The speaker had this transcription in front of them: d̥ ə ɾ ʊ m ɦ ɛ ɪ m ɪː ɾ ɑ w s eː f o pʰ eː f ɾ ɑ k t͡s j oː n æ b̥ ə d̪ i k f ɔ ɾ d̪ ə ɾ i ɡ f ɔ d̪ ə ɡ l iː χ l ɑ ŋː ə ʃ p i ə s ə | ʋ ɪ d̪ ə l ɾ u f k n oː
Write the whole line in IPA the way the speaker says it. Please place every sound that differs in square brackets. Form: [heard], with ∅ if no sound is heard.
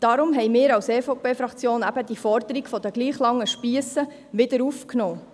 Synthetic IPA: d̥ [ɑ] ɾ ʊ m ɦ ɛ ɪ m ɪː ɾ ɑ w s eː f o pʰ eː f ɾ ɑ k t͡s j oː n æ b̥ ə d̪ i [∅] f ɔ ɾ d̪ ə ɾ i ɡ f ɔ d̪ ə ɡ l iː χ l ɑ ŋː ə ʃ p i ə s ə | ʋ ɪ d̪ ə [∅] ɾ u f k n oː